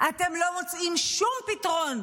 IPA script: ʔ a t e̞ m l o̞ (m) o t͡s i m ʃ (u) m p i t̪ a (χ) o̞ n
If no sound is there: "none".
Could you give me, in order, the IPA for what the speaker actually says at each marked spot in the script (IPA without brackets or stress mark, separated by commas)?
m, u, ʁ